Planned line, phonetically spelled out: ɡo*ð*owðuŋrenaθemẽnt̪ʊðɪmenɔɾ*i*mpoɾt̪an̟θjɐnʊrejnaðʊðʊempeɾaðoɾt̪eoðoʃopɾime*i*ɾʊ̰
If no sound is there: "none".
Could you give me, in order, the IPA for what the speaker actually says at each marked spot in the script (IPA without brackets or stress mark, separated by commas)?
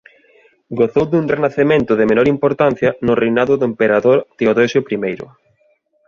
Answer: θ, i, j